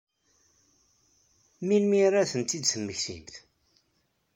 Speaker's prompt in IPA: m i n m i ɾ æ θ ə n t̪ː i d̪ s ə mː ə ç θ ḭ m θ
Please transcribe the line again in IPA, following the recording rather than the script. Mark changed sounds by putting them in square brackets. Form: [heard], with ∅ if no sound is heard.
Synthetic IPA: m i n m i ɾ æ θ ə n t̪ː i d̪ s ə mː ə ç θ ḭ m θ